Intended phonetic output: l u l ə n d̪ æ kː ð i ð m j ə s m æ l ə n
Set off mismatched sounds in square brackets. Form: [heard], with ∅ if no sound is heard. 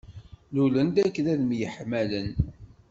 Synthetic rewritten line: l u l ə n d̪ æ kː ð [æ] ð m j ə [ħ] m æ l ə n